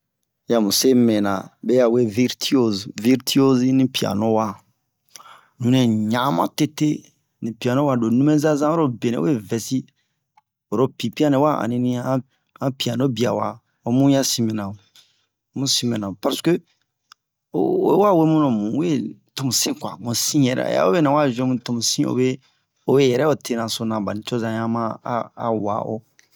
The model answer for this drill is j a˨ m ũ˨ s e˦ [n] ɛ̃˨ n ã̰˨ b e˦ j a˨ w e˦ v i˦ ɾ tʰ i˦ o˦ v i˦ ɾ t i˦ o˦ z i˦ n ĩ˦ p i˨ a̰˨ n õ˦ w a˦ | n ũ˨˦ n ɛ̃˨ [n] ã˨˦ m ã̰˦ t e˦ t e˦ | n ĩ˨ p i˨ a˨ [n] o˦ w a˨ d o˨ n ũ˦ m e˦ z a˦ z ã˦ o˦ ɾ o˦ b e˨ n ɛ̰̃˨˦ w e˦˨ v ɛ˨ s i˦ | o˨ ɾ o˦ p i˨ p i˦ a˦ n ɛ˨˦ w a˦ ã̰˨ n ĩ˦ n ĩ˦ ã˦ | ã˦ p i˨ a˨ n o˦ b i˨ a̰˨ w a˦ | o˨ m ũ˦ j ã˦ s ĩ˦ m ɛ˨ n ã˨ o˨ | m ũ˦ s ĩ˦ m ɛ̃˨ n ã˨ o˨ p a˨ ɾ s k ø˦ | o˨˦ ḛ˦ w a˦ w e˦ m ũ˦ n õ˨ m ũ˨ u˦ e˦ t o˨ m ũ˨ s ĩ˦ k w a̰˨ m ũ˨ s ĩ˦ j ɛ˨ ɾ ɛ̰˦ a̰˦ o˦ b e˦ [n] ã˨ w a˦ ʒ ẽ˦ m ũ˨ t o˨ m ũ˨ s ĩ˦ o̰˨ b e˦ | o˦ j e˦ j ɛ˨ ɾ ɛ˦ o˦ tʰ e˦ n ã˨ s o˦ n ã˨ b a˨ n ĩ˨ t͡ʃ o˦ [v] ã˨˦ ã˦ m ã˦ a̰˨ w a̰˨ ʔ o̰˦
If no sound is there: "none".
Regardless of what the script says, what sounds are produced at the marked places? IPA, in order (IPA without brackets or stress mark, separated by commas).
m, ɲ, n, n, z